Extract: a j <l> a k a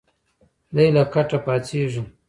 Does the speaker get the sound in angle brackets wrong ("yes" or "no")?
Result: no